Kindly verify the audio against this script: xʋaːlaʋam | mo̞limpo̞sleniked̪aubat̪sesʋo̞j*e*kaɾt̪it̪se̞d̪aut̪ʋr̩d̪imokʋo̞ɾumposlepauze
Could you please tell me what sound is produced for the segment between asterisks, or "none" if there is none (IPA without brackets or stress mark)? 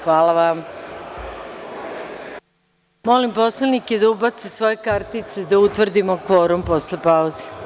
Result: e